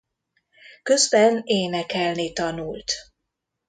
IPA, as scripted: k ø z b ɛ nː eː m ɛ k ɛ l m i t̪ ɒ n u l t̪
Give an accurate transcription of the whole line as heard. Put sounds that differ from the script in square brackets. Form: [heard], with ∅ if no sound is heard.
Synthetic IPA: k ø z b ɛ [n] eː [n] ɛ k ɛ l [n] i t̪ ɒ n u l t̪